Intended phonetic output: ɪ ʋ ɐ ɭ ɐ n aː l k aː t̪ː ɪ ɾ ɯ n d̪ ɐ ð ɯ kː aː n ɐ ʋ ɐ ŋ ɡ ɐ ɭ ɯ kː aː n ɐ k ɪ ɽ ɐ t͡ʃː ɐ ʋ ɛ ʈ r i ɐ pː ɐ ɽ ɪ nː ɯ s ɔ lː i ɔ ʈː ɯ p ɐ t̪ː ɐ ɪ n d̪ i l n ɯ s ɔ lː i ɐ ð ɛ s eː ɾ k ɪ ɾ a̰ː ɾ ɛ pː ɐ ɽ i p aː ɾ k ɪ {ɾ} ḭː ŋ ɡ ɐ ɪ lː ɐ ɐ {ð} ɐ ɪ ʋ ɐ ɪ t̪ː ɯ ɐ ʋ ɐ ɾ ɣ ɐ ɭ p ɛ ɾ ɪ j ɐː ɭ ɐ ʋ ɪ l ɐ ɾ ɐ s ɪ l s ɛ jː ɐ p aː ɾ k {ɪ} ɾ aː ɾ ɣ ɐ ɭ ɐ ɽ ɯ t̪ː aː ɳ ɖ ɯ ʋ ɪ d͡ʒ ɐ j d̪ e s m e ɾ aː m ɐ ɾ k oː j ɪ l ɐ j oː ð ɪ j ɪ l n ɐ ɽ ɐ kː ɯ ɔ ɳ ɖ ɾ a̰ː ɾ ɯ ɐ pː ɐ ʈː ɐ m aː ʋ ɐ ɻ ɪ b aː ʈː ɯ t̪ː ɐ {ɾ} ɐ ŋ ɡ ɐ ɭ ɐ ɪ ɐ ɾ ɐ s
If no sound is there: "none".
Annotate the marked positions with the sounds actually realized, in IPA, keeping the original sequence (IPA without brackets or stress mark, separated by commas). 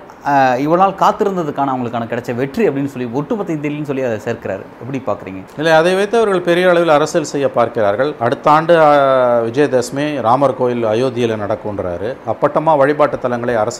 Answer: ɾ, ð, ɪ, l